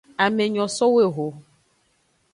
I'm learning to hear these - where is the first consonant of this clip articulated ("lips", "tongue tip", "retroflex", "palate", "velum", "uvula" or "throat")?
lips